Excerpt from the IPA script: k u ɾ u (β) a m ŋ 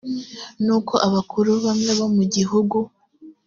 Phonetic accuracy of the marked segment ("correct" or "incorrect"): correct